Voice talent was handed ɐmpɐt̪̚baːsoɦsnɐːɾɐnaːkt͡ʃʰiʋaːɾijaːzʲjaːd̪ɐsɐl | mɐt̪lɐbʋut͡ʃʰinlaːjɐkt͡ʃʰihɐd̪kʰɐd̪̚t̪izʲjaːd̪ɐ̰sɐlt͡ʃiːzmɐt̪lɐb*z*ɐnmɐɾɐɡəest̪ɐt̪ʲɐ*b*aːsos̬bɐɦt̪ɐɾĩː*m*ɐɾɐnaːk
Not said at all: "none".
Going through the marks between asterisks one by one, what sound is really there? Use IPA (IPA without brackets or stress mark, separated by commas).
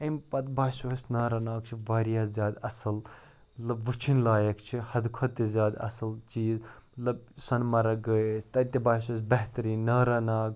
s, b, n